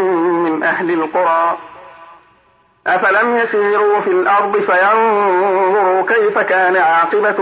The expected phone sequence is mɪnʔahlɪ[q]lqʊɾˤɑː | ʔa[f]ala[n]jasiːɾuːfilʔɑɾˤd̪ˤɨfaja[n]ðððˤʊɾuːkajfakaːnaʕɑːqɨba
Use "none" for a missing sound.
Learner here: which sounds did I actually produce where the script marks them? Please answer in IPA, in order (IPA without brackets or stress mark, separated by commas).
none, f, m, n